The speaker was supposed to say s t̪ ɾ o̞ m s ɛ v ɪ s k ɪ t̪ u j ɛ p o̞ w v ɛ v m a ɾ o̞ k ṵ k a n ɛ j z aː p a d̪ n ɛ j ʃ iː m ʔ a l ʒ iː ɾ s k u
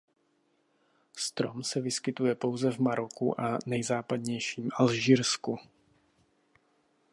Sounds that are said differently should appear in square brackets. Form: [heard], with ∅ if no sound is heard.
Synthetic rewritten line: s t̪ ɾ o̞ m s ɛ v ɪ s k ɪ t̪ u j ɛ p o̞ w [z] ɛ v m a ɾ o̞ k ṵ [ʔ] a n ɛ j z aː p a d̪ [ɲ] ɛ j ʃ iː m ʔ a l ʒ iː ɾ s k u